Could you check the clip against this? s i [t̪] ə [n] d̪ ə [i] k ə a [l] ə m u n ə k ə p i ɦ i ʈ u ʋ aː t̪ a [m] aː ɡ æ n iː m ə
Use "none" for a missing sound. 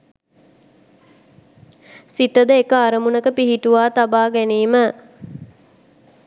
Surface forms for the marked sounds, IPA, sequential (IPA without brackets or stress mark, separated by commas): t̪, none, e, ɾ, b